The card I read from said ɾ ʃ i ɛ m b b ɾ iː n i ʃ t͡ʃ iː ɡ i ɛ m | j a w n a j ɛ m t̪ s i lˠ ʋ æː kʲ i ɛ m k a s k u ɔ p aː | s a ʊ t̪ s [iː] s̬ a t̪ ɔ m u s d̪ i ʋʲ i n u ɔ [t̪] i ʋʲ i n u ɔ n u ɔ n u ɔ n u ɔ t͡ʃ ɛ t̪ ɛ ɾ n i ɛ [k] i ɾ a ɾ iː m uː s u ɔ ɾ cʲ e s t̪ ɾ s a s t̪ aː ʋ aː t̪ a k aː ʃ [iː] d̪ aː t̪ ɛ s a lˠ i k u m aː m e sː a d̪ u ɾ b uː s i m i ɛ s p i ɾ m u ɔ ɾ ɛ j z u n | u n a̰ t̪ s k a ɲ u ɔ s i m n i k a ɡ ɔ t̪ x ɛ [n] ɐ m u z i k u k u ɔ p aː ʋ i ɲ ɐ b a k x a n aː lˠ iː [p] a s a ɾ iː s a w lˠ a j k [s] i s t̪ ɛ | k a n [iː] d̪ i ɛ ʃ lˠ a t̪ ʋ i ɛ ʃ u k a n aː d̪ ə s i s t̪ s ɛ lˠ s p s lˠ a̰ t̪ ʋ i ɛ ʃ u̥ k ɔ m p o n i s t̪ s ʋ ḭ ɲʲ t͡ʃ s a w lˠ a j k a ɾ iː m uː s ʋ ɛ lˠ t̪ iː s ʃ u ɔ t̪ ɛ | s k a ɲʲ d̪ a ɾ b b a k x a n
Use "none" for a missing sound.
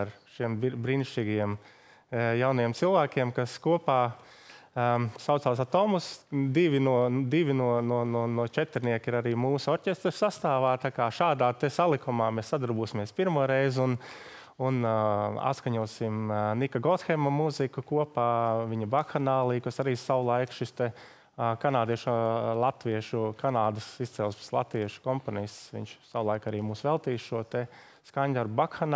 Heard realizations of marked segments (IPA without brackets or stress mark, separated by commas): aː, d̪, k, aː, m, k, ʃ, aː